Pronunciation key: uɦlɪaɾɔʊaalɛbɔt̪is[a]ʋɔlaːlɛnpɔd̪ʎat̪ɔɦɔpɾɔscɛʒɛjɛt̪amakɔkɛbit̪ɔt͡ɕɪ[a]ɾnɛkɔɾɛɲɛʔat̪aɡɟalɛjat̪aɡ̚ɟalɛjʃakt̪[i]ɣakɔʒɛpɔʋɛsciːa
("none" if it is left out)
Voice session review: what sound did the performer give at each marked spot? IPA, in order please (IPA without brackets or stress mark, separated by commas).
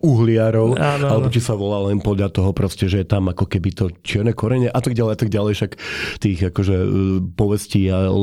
a, ɛ, iː